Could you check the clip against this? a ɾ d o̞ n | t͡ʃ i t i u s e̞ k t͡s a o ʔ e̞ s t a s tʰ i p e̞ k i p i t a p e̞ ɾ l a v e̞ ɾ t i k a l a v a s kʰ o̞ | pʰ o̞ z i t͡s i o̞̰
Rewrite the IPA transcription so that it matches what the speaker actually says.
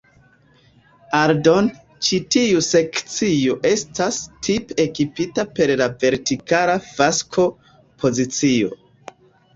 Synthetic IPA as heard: a ɾ d o̞ n | t͡ʃ i t i u s e̞ k t͡s i o ʔ e̞ s t a s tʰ i p e̞ k i p i t a p e̞ ɾ l a v e̞ ɾ t i k a l a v a s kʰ o̞ | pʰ o̞ z i t͡s i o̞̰